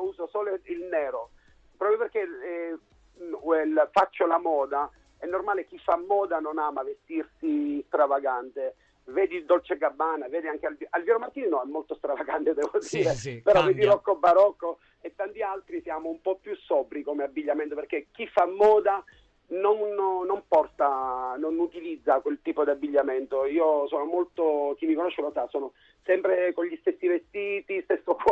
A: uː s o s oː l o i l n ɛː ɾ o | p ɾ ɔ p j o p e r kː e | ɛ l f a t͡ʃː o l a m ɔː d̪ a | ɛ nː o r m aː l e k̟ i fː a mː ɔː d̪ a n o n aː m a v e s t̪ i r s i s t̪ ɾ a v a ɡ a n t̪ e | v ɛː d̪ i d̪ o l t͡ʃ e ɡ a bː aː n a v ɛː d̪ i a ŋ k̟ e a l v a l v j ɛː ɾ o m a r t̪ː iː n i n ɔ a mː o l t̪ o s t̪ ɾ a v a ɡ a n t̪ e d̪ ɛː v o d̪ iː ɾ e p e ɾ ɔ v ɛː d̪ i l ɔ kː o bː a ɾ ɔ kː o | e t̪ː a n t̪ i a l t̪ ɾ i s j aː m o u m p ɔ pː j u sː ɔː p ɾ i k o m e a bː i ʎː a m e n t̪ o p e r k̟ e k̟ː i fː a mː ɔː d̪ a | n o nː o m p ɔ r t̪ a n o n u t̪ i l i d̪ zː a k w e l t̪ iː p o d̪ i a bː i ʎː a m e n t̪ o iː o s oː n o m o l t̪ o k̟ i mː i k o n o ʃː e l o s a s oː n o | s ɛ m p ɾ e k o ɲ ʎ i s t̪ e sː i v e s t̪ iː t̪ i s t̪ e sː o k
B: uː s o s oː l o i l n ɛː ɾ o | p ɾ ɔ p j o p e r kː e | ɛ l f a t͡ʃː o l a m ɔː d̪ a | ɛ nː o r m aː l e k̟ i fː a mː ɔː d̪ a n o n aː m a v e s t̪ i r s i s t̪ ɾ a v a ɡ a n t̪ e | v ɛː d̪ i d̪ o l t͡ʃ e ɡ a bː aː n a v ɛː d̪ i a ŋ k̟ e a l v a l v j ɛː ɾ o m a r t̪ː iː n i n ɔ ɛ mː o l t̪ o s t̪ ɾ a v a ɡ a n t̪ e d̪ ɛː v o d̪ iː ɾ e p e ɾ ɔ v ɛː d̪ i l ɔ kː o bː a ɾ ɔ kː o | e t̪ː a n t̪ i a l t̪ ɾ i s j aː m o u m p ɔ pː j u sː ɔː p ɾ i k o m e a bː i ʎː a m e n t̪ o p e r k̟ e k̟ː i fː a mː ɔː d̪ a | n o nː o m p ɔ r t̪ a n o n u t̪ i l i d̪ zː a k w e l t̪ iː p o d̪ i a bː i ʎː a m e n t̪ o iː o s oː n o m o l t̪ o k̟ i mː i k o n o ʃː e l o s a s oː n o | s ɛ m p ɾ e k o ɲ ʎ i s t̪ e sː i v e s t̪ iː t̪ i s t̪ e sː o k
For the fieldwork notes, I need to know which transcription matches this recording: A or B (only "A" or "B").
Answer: B